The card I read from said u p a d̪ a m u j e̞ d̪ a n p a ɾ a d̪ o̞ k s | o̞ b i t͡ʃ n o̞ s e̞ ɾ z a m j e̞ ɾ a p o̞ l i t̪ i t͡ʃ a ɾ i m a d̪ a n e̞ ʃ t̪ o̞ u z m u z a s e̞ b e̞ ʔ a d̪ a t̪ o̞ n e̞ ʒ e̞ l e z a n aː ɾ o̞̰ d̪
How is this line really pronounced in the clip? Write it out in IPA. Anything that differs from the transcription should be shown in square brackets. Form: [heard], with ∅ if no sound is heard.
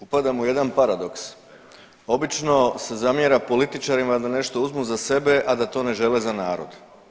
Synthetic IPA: u p a d̪ a m u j e̞ d̪ a n p a ɾ a d̪ o̞ k s | o̞ b i t͡ʃ n o̞ s e̞ [∅] z a m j e̞ ɾ a p o̞ l i t̪ i t͡ʃ a ɾ i m a d̪ a n e̞ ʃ t̪ o̞ u z m u z a s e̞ b e̞ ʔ a d̪ a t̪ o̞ n e̞ ʒ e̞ l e z a n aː ɾ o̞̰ d̪